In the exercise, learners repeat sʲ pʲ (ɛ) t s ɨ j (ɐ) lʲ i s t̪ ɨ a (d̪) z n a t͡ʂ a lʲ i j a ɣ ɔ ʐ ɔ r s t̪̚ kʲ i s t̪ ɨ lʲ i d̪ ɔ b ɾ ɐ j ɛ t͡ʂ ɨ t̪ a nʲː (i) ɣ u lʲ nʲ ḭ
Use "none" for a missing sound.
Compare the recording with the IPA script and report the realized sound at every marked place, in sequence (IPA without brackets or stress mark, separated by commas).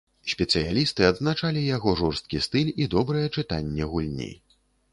ɛ, a, d̪, ɛ